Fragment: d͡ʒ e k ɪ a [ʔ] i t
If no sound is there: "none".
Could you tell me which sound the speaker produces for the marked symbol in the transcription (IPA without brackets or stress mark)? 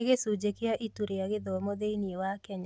ʔ